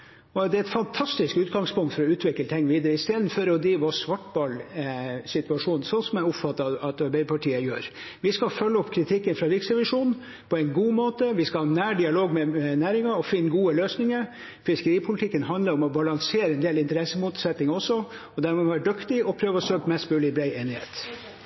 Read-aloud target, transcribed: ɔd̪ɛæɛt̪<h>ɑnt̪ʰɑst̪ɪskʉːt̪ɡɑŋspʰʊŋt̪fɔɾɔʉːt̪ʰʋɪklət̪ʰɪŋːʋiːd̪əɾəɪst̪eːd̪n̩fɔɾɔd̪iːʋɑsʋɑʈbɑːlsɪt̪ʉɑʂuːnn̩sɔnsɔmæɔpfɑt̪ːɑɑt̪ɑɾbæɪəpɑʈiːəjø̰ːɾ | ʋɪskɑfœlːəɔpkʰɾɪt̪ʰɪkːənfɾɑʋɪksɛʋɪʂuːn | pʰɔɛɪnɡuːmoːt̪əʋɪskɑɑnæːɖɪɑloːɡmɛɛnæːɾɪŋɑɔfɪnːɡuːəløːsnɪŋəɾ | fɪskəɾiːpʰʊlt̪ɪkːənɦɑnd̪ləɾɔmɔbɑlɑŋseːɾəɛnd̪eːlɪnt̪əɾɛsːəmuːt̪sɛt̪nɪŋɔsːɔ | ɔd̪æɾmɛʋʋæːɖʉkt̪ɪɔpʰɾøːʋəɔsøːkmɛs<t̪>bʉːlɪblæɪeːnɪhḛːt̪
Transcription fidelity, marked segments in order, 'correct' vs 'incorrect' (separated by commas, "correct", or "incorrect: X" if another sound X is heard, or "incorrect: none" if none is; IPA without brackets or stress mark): incorrect: f, correct